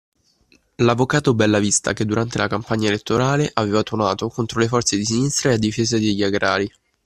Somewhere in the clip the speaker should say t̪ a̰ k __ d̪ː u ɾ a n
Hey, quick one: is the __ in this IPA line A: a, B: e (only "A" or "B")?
B